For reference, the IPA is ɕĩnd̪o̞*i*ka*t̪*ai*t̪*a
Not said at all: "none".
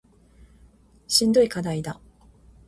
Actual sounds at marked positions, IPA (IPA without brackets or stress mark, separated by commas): i, d̪, d̪